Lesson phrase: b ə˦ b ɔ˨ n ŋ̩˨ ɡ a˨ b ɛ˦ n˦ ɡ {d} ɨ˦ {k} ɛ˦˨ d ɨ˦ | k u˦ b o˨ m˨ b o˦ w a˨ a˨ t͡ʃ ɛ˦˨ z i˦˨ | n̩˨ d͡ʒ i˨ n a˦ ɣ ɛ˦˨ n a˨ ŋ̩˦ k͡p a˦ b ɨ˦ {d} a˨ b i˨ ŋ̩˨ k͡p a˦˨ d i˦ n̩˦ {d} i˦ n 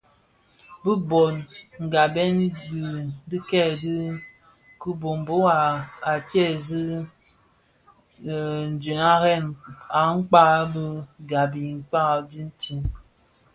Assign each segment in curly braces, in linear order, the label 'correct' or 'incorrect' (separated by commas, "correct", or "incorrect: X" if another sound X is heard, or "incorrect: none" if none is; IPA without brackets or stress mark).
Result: correct, correct, incorrect: ɡ, incorrect: t